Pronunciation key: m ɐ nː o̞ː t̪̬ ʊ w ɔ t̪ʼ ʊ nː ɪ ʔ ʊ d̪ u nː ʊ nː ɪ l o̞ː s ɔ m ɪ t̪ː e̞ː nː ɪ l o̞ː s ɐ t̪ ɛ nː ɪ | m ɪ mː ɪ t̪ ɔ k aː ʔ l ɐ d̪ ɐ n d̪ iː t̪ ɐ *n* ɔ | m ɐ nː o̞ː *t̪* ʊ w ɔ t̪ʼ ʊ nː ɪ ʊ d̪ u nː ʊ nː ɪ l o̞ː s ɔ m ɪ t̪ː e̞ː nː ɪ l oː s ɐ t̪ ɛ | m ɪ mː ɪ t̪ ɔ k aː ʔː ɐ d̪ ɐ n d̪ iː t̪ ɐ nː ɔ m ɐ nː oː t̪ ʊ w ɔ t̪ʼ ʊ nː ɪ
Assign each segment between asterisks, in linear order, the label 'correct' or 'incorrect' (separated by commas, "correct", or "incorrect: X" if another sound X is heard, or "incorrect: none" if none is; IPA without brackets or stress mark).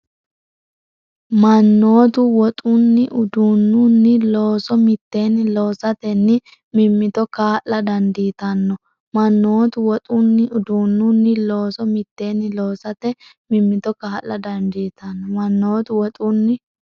incorrect: nː, correct